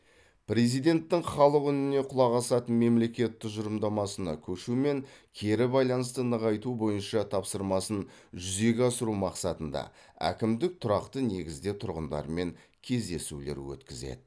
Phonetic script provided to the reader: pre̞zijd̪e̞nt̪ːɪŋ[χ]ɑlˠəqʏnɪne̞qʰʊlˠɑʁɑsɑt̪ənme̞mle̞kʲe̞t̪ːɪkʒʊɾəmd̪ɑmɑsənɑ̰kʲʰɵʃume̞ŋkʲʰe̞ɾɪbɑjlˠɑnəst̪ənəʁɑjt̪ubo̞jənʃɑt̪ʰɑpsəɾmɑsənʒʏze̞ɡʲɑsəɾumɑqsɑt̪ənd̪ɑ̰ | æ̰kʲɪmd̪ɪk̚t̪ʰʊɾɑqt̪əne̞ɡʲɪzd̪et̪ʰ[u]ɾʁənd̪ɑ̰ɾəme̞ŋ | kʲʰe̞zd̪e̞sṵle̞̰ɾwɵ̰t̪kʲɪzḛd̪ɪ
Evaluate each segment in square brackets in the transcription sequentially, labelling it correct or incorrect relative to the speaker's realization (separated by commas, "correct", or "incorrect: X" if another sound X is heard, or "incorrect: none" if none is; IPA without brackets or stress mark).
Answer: correct, incorrect: ʊ